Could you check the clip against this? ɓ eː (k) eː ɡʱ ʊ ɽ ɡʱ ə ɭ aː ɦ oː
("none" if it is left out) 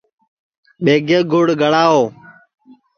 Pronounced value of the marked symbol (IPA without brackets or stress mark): ɡ